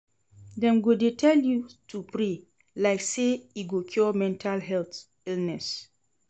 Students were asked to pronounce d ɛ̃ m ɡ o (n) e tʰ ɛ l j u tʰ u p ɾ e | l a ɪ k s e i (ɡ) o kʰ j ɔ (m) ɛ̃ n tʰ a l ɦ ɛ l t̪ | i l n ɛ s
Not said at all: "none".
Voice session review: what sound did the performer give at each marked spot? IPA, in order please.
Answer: d, ɡ, m

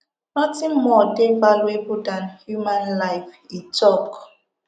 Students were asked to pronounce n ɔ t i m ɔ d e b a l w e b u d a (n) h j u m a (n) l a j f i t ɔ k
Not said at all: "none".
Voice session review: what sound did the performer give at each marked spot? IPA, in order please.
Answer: n, n

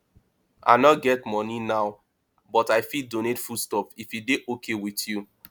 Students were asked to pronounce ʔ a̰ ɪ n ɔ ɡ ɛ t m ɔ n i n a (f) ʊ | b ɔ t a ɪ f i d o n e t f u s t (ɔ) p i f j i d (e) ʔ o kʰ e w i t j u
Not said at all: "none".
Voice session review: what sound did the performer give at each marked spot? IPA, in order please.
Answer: none, ɔ, e

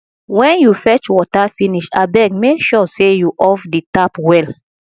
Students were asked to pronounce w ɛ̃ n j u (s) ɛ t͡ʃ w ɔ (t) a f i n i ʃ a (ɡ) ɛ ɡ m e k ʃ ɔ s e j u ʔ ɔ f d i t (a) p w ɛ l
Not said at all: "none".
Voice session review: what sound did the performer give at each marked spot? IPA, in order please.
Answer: f, t, b, a

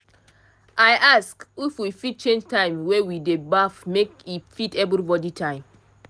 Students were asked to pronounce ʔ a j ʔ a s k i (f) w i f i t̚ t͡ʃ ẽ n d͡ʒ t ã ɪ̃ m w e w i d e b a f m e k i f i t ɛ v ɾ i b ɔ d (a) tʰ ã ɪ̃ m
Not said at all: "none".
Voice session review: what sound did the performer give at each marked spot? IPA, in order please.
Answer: f, i

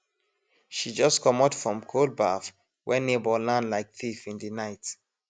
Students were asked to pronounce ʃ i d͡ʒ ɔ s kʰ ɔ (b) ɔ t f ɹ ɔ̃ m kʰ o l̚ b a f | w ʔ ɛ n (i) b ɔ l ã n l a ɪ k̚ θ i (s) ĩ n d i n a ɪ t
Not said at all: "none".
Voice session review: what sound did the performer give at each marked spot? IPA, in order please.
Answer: m, e, f

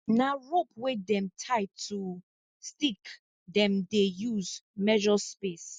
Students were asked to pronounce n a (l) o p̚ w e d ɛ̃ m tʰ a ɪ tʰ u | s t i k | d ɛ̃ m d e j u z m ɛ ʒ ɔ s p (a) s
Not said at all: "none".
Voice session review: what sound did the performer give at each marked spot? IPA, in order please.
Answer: ɹ, e

